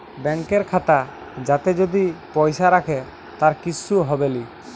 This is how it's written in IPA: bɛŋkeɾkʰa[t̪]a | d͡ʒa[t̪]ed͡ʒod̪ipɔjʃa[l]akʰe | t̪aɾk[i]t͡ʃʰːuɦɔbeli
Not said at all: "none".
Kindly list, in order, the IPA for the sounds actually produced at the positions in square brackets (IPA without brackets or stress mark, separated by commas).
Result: t̪, t̪, ɾ, i